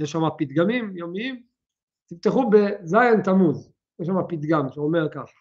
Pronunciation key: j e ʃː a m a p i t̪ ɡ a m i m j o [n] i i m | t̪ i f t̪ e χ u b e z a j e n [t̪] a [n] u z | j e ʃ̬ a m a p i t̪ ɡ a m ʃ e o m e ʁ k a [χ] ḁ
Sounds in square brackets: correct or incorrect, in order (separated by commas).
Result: incorrect, correct, incorrect, correct